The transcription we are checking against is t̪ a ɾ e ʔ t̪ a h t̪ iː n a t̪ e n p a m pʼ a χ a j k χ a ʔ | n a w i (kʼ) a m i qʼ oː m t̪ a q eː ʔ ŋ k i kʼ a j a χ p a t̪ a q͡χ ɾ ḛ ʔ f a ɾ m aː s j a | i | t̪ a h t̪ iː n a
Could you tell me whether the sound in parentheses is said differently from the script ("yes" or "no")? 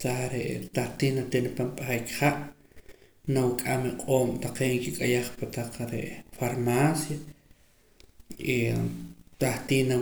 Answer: no